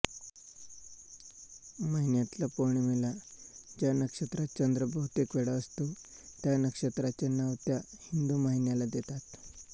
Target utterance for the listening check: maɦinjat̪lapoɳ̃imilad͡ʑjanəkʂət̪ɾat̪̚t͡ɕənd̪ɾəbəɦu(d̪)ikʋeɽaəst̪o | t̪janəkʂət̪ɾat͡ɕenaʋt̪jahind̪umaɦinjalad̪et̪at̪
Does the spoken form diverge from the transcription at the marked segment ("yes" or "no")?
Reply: yes